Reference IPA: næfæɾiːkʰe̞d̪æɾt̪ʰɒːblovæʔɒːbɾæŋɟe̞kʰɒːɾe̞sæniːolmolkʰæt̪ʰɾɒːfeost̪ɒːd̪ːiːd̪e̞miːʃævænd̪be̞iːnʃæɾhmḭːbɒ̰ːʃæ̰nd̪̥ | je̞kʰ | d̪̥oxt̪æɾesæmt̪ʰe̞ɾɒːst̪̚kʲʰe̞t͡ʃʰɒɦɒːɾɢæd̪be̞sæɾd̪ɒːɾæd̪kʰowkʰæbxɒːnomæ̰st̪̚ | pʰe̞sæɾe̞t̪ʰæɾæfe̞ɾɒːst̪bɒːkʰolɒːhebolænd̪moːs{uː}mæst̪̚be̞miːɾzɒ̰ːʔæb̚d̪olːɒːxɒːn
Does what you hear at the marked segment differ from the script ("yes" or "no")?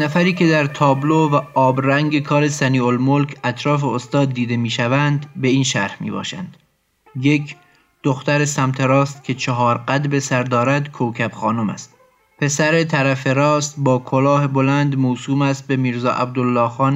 no